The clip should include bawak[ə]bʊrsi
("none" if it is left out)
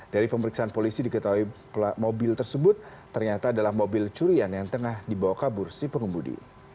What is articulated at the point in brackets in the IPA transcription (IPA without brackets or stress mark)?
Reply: a